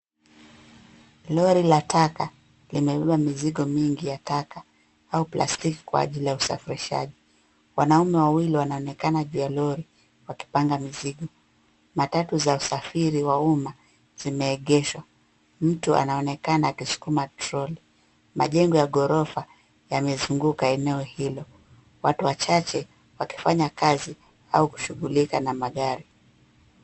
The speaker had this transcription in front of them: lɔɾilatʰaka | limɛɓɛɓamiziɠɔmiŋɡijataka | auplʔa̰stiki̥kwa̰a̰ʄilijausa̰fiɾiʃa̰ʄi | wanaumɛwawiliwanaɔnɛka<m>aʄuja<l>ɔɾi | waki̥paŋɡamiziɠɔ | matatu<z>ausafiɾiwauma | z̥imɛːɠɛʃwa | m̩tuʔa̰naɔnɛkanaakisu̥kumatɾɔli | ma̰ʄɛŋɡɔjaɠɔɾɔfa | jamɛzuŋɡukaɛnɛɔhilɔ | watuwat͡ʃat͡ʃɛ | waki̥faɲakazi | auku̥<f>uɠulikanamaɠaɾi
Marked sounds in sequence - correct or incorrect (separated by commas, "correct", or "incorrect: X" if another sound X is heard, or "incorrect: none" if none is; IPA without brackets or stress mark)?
incorrect: n, correct, correct, incorrect: ʃ